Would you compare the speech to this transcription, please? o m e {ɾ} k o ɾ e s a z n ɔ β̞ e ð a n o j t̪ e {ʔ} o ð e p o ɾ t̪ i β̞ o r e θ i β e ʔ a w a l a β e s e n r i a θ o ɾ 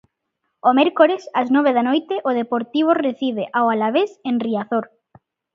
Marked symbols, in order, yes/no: yes, yes

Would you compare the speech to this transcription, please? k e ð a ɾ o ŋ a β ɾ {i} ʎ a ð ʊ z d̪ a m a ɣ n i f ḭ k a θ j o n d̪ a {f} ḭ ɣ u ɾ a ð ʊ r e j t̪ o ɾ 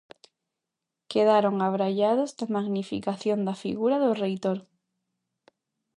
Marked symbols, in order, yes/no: no, yes

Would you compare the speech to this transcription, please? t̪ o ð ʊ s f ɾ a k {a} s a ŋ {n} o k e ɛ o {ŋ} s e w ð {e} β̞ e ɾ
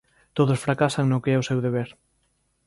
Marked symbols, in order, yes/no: yes, yes, no, yes

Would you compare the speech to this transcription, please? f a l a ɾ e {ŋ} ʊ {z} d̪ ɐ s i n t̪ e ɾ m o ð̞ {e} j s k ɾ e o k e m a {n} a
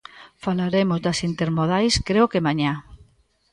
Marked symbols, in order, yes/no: no, yes, no, no

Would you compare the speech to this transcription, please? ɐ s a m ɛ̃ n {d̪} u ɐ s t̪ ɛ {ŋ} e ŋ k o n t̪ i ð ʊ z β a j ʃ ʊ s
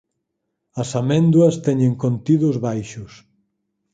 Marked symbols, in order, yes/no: yes, no

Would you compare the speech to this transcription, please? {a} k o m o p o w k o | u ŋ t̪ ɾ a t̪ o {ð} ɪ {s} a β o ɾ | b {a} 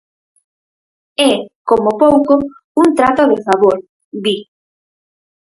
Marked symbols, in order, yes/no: no, yes, no, no

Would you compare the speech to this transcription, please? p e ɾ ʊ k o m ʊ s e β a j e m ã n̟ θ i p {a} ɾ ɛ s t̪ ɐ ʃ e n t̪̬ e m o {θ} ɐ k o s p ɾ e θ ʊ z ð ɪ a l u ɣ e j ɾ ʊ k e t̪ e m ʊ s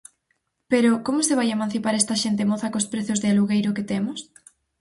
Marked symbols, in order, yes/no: yes, yes

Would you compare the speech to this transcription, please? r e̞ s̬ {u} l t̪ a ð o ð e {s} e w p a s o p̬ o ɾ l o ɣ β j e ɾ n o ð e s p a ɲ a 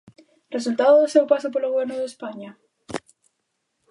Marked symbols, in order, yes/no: yes, yes

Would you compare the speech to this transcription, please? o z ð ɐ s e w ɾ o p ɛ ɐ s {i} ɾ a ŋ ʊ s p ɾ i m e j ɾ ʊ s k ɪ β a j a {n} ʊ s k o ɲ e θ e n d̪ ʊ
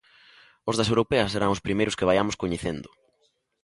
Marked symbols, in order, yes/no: no, no

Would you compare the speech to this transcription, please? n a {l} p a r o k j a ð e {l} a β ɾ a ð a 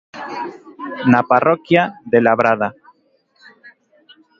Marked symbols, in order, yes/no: no, yes

